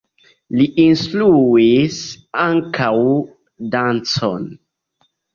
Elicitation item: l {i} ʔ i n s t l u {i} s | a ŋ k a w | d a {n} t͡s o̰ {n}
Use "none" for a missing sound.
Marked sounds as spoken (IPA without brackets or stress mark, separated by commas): i, i, n, n